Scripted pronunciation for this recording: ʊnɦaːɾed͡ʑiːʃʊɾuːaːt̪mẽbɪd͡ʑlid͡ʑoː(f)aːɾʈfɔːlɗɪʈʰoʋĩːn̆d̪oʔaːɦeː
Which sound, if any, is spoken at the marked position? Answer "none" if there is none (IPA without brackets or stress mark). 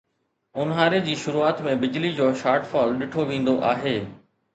ʃ